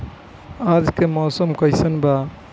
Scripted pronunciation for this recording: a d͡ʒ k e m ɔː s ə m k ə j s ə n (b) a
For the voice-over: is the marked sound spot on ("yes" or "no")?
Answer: yes